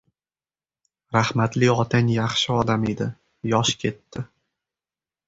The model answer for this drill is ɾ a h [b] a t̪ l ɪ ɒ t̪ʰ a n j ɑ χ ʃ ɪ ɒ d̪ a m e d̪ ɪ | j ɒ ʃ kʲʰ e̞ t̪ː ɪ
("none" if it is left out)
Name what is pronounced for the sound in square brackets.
m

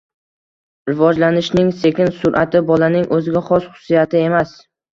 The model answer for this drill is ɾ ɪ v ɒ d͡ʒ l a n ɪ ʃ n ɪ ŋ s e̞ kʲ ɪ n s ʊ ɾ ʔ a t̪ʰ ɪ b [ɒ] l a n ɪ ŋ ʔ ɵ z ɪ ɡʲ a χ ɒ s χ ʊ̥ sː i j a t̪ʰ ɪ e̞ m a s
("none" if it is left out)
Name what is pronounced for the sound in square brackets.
ɒ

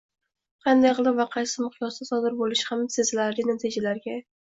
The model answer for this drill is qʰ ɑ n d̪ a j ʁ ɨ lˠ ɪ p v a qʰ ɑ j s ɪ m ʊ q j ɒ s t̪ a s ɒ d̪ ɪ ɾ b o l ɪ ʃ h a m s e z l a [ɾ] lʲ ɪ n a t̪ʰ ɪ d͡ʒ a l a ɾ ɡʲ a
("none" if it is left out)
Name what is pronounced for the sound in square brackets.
ɾ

